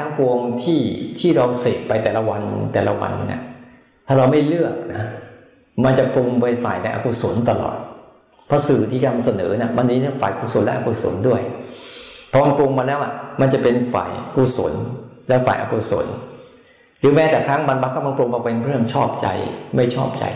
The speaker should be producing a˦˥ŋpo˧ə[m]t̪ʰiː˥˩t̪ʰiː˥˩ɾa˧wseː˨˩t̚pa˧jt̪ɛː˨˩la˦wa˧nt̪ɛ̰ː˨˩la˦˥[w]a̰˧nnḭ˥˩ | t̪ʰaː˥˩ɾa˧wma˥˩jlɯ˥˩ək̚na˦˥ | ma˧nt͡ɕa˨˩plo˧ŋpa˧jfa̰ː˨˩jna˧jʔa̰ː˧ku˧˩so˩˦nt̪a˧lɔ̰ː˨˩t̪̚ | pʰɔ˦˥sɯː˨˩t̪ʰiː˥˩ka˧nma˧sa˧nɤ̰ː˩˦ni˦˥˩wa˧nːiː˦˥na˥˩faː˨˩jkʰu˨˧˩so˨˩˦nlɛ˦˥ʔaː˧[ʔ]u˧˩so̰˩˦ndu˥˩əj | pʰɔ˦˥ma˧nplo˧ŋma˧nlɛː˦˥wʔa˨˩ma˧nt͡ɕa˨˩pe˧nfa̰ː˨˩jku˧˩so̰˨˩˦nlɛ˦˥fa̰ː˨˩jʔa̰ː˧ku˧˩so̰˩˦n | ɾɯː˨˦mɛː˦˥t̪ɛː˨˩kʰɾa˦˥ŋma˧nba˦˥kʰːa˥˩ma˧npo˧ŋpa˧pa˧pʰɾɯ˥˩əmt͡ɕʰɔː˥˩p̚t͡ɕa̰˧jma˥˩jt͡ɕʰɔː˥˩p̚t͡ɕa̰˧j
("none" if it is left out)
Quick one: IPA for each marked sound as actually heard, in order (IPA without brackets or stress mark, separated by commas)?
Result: ŋ, w, k